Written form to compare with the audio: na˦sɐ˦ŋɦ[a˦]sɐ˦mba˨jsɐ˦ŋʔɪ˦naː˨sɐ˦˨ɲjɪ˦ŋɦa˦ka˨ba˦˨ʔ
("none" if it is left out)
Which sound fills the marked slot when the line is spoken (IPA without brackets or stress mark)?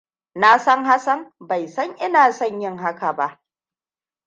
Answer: a˦